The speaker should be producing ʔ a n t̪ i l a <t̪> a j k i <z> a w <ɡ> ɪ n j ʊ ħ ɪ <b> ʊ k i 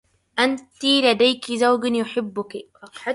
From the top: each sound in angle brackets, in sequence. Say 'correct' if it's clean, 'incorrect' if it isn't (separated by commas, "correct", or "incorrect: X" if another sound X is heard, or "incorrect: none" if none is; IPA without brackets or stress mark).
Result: incorrect: d̪, correct, correct, incorrect: bː